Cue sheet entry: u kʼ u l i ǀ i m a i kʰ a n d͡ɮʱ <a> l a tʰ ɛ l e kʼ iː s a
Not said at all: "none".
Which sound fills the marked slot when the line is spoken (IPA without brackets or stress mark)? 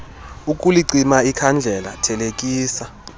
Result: ɛ